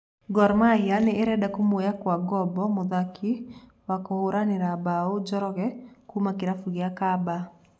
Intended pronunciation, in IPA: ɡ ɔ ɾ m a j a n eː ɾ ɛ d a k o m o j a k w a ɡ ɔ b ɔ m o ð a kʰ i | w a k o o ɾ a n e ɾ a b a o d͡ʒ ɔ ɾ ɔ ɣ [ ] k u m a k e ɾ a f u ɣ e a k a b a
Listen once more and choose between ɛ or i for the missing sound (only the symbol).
ɛ